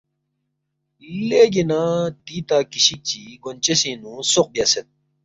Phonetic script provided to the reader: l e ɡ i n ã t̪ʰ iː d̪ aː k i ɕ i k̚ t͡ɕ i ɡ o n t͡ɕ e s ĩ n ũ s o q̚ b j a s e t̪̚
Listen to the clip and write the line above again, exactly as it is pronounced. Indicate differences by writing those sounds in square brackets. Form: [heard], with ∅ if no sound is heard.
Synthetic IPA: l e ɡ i n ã [t̪] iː [t̪] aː k i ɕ i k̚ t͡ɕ i ɡ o n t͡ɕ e s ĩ n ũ s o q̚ b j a s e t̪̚